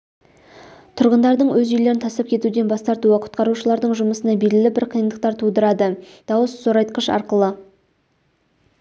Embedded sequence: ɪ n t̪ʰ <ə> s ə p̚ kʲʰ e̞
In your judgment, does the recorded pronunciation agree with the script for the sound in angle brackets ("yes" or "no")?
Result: no